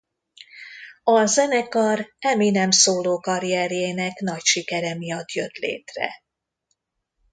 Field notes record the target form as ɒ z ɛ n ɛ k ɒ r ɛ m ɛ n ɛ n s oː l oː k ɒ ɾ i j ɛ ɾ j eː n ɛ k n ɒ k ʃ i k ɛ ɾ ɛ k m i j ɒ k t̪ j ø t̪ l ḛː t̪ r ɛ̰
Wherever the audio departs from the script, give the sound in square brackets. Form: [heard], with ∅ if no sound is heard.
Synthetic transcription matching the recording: ɒ z ɛ n ɛ k ɒ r ɛ m [i] n ɛ [m] s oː l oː k ɒ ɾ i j ɛ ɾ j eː n ɛ k n ɒ [c] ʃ i k ɛ ɾ ɛ [∅] m i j ɒ [∅] t̪ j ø t̪ l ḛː t̪ r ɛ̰